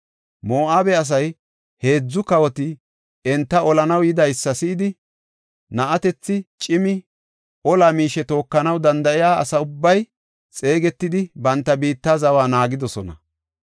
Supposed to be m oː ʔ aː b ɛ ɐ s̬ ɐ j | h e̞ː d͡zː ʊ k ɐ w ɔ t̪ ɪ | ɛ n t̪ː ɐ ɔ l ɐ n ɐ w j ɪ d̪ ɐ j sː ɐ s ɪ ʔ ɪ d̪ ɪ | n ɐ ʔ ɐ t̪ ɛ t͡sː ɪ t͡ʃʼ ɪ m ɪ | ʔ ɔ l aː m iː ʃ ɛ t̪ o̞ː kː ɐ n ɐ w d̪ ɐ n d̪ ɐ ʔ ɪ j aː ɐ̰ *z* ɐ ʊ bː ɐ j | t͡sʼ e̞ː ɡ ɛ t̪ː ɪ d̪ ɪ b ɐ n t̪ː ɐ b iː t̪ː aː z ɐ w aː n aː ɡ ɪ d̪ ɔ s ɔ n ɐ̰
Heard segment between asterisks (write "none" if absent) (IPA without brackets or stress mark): s